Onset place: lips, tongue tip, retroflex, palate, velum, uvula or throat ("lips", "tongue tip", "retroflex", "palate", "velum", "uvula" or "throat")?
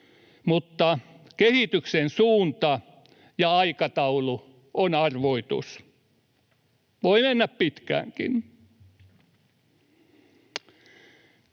lips